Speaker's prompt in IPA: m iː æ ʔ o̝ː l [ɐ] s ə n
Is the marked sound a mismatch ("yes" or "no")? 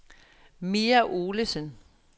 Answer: yes